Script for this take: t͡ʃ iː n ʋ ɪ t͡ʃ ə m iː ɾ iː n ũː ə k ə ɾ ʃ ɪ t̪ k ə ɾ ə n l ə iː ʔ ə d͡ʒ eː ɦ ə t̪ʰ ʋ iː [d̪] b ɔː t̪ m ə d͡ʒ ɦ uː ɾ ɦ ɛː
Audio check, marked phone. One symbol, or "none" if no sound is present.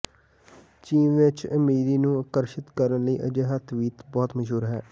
t̪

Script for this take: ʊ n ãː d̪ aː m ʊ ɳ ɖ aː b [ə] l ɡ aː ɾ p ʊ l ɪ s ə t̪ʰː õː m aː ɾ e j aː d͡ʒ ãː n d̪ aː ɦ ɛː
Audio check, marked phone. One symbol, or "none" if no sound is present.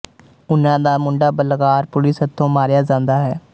ə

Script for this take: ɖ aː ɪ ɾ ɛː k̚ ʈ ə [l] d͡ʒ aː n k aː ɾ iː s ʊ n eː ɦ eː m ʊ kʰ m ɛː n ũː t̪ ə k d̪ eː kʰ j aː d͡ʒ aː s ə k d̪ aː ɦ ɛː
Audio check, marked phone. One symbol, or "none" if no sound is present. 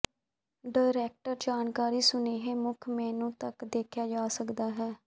ɾ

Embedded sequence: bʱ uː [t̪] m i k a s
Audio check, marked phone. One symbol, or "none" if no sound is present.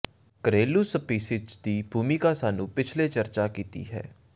none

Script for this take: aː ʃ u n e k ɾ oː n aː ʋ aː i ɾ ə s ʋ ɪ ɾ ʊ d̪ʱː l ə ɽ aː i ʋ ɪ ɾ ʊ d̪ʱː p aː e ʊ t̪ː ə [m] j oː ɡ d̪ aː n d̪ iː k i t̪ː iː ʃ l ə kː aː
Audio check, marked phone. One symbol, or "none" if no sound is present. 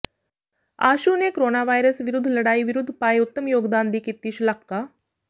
m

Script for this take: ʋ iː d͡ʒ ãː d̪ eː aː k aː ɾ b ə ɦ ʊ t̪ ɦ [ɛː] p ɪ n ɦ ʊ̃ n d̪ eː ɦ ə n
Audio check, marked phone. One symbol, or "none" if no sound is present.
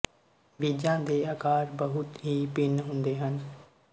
iː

